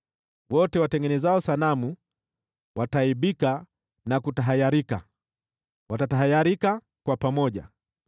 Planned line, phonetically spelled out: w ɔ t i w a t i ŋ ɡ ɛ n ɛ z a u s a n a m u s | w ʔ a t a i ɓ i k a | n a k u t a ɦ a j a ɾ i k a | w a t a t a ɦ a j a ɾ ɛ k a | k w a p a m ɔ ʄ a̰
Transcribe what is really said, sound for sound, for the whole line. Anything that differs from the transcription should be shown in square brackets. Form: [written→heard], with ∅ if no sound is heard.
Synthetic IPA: w ɔ t [i→ɛ] w a t [i→ɛ] ŋ ɡ ɛ n ɛ z a [u→ɔ] s a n a m u [s→∅] | w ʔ a t a i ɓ i k a | n a k u t a ɦ a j a ɾ i k a | w a t a t a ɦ a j a ɾ [ɛ→i] k a | k w a p a m ɔ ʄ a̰